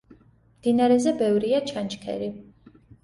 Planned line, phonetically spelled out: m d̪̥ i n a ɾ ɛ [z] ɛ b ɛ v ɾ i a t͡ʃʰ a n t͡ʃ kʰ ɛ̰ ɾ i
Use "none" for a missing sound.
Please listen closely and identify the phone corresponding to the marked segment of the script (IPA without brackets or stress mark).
z